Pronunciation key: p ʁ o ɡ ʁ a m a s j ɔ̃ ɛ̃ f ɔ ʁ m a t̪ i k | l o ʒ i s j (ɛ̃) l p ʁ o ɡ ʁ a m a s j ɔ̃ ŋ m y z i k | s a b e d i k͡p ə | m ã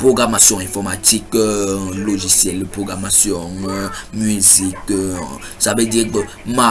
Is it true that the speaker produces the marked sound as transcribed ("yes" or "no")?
no